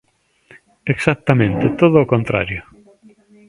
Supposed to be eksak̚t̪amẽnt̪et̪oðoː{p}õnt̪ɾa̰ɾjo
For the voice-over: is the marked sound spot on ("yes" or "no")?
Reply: no